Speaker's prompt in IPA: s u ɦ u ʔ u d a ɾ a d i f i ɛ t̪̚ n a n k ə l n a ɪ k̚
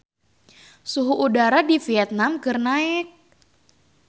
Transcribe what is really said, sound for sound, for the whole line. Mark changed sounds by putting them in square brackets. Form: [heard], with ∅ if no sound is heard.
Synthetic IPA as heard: s u ɦ u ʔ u d a ɾ a d i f i ɛ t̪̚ n a [m] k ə [r] n a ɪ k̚

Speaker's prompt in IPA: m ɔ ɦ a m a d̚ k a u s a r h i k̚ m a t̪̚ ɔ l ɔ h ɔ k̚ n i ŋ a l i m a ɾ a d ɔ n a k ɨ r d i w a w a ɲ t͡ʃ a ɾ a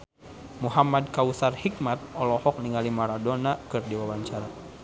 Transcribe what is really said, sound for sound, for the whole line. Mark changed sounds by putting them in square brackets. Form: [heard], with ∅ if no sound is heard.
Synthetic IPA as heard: m [u] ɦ a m a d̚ k a u s a r h i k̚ m a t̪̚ ɔ l ɔ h ɔ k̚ n i ŋ a l i m a ɾ a d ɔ n a k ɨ r d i w a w a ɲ t͡ʃ a ɾ a

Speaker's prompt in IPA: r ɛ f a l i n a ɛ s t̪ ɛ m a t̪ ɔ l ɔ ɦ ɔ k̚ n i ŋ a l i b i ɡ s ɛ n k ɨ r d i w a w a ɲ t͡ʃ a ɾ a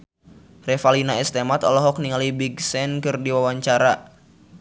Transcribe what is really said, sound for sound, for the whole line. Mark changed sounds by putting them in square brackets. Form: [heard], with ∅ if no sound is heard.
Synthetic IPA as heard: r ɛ f a l i n a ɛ s t̪ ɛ m a t̪ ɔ l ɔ ɦ ɔ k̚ n i ŋ a l i b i ɡ s ɛ n k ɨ r d i w a w a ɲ t͡ʃ a ɾ a

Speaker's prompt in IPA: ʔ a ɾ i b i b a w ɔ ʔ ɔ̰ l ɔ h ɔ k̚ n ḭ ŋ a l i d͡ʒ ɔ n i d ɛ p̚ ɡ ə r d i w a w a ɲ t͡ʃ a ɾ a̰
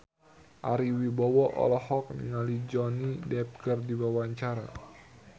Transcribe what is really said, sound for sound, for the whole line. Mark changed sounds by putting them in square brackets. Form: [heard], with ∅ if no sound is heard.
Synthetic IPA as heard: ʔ a ɾ i [w] i b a w ɔ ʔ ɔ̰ l ɔ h ɔ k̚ n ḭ ŋ a l i d͡ʒ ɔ n i d ɛ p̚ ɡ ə r d i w a w a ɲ t͡ʃ a ɾ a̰

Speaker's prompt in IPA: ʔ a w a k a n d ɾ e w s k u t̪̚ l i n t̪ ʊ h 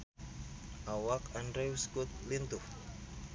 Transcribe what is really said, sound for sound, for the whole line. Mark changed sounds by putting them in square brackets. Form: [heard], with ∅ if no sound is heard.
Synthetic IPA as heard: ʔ a w a k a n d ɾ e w s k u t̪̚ l i n t̪ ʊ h

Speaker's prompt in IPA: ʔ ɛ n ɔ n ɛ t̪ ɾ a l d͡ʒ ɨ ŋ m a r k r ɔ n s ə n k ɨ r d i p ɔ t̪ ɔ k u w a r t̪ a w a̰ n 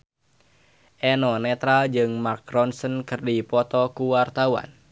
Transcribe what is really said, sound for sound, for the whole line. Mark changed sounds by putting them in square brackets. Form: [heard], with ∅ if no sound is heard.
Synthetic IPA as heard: ʔ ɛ n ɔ n ɛ t̪ ɾ a l d͡ʒ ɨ ŋ m a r k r ɔ n s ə n k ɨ r d i p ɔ t̪ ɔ k u w a r t̪ a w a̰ n

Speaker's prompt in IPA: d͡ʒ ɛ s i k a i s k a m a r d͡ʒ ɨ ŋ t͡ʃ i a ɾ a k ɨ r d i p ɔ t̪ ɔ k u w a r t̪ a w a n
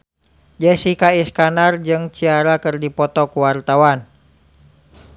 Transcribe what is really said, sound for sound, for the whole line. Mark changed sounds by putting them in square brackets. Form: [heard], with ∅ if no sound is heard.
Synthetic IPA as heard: d͡ʒ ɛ s i k a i s k a [n] a r d͡ʒ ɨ ŋ t͡ʃ i a ɾ a k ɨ r d i p ɔ t̪ ɔ k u w a r t̪ a w a n

